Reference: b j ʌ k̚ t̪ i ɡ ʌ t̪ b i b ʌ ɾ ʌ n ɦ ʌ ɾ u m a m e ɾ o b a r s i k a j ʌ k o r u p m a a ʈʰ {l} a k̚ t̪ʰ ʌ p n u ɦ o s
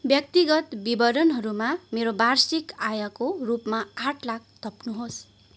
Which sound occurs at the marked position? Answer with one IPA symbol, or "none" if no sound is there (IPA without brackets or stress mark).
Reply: l